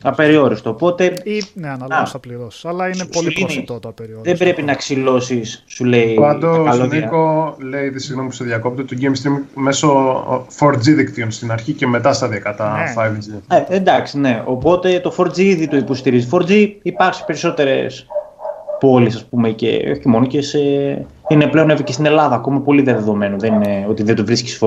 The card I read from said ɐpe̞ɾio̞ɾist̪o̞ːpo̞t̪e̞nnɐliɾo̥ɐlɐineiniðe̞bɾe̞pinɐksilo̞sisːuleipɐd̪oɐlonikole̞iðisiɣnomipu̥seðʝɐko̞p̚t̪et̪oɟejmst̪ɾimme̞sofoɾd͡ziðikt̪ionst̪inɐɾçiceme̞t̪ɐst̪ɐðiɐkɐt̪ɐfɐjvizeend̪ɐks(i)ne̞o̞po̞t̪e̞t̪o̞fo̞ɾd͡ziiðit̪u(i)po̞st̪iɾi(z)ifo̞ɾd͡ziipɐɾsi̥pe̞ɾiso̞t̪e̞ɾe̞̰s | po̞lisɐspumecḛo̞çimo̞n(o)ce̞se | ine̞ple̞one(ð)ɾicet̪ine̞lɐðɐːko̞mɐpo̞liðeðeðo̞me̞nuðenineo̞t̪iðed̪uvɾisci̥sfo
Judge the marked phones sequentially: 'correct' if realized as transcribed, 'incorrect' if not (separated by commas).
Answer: correct, correct, correct, correct, incorrect